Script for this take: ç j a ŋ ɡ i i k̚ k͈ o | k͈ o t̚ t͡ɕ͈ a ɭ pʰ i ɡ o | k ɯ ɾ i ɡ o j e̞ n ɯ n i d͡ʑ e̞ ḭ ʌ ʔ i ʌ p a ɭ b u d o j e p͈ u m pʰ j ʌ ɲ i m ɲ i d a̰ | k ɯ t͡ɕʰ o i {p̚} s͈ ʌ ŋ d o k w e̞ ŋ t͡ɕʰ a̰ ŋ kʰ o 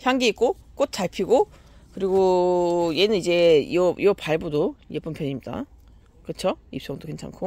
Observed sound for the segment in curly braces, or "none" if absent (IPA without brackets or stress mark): p̚